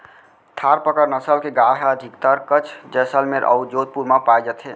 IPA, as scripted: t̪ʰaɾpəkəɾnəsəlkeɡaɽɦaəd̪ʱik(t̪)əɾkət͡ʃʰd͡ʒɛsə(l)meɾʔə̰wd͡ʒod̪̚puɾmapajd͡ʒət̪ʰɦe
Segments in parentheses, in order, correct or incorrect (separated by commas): correct, correct